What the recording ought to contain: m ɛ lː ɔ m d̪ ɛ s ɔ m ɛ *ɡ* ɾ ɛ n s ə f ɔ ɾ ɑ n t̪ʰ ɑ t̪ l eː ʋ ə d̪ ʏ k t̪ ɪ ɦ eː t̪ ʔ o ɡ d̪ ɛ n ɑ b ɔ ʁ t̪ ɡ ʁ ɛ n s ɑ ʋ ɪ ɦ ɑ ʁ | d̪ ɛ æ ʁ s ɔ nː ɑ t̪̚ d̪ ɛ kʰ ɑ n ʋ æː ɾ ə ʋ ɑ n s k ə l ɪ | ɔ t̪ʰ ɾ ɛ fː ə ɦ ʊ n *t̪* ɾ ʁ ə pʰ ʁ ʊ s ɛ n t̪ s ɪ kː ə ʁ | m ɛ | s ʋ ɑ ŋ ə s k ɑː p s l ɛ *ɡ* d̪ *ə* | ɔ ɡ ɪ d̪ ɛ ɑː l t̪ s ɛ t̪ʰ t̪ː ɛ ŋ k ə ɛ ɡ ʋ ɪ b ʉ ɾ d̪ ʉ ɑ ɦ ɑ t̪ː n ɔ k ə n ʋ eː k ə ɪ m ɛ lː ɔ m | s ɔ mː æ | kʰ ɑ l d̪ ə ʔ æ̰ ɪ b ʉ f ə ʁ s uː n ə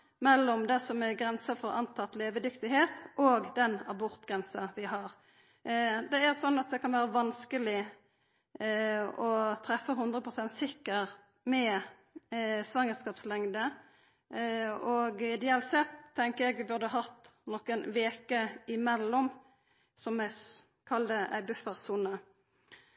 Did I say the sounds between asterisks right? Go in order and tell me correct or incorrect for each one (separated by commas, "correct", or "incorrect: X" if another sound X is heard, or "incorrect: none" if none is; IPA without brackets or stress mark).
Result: correct, incorrect: d̪, incorrect: ŋ, correct